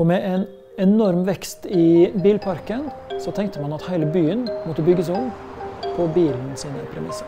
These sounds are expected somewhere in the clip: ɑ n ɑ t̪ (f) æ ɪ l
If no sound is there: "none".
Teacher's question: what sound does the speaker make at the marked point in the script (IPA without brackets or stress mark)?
h